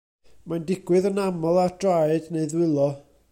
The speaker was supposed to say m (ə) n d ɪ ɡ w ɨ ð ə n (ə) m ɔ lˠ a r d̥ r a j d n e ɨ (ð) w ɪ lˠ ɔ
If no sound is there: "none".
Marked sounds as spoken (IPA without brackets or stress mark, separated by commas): a, a, ð